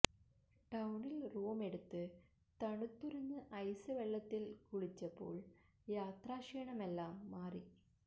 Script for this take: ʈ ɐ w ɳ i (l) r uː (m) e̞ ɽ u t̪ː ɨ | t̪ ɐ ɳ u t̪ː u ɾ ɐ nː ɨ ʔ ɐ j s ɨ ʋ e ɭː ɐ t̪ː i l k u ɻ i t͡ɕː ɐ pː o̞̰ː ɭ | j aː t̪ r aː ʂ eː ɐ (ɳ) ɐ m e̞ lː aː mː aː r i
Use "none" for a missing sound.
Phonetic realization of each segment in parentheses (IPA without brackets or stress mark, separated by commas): l, m, ɳ